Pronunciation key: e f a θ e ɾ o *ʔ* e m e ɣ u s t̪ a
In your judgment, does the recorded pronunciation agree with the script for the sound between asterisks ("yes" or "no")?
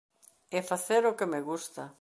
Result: no